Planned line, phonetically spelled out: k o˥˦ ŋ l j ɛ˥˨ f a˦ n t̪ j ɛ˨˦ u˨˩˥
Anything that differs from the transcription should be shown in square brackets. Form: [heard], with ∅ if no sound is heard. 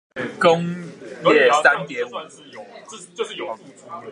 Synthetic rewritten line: k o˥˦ ŋ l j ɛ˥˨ [s] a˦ n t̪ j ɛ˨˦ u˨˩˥